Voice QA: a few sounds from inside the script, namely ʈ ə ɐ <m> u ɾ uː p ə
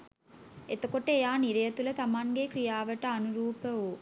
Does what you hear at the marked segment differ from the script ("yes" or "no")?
yes